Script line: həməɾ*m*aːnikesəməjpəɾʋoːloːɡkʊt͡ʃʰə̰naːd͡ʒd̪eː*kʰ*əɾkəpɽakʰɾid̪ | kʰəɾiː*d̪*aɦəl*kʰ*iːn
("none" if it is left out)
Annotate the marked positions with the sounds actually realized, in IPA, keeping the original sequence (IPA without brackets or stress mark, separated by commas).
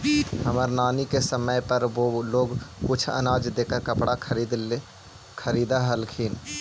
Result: n, k, d̪, kʰ